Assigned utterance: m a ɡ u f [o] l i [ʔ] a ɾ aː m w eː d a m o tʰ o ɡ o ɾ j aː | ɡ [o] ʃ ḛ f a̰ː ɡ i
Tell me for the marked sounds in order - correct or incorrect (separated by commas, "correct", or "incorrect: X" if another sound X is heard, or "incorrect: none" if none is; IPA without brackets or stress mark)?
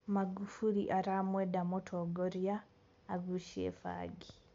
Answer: incorrect: u, correct, incorrect: u